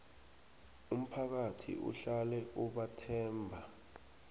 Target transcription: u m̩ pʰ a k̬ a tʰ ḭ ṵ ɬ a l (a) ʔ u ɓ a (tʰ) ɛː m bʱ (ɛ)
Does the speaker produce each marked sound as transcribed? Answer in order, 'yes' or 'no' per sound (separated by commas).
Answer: no, yes, no